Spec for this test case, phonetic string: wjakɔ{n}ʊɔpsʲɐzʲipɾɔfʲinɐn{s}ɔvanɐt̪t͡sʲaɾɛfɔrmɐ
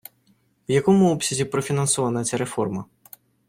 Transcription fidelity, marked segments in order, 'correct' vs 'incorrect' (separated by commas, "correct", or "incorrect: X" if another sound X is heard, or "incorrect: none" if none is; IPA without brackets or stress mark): incorrect: m, correct